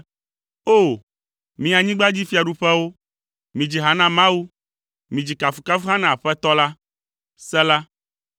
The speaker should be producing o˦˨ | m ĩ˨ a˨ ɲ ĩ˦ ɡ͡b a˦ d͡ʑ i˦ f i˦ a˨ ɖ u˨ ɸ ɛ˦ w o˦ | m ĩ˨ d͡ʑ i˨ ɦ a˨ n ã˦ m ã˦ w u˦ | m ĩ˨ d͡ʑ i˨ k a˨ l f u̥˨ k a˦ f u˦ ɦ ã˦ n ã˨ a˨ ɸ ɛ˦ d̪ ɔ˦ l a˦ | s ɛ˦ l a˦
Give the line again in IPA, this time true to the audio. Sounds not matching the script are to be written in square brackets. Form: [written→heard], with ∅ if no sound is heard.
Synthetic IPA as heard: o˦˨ | m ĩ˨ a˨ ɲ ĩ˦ ɡ͡b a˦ d͡ʑ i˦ f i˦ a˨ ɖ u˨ ɸ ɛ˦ w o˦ | m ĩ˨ d͡ʑ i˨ ɦ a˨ n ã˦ m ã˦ w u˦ | m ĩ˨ d͡ʑ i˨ k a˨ [l→∅] f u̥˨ k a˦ f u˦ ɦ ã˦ n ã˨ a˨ ɸ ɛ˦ [d̪→t̪] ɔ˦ l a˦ | s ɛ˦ l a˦